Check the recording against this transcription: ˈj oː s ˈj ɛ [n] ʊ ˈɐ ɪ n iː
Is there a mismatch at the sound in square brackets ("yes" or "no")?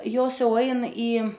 yes